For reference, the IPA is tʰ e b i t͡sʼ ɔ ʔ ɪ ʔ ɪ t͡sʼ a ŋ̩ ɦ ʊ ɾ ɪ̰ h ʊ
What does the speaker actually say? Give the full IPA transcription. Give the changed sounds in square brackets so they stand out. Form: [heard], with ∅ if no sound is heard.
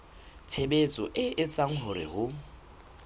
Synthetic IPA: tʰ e b [e] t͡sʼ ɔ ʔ ɪ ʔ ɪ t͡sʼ a ŋ̩ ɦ ʊ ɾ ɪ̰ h ʊ